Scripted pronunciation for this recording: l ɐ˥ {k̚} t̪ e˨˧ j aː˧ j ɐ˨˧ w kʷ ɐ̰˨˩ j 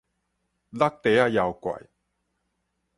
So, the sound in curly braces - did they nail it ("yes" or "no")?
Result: yes